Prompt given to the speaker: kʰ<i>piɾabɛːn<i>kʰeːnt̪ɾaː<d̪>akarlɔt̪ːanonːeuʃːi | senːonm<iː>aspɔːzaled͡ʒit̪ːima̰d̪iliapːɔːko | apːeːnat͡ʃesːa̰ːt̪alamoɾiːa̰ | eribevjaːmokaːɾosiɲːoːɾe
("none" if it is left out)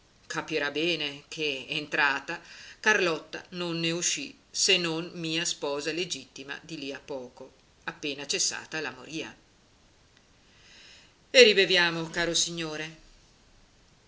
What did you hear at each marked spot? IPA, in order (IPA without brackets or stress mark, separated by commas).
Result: a, e, t̪, iː